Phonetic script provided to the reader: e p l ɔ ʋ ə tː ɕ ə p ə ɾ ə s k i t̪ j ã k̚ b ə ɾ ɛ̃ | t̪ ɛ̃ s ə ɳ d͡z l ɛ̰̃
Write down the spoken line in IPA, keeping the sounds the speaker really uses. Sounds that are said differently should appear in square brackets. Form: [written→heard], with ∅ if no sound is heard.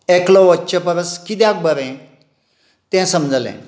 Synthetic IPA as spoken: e [p→k] l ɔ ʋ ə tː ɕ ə p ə ɾ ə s k i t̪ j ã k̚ b ə ɾ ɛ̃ | t̪ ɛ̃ s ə [ɳ→m] d͡z l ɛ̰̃